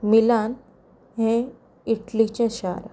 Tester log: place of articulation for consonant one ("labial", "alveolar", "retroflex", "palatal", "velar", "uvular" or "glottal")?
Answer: labial